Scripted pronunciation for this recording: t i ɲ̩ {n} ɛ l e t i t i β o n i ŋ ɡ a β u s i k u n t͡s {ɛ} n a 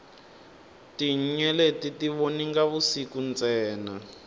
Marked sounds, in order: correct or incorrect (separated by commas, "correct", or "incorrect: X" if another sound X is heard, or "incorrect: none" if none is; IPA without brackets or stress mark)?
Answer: incorrect: ɲ, incorrect: ɛː